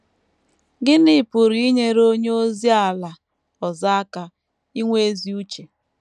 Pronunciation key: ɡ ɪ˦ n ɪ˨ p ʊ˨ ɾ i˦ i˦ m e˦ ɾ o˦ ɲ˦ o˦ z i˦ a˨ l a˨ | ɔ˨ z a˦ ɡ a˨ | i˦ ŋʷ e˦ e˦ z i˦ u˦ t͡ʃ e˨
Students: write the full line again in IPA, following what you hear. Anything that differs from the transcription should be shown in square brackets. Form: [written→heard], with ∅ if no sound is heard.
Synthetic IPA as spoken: ɡ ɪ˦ n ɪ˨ p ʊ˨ ɾ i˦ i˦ [m→ɲ] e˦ ɾ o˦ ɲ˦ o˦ z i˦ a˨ l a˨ | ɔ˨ z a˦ [ɡ→k] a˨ | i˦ ŋʷ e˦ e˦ z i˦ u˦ t͡ʃ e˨